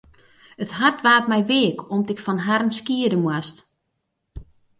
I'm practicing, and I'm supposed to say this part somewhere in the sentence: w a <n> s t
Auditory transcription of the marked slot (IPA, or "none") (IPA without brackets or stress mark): none